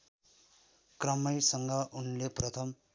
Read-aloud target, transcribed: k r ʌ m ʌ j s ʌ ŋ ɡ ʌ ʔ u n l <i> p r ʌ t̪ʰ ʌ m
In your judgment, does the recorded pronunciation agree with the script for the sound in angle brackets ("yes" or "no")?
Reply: no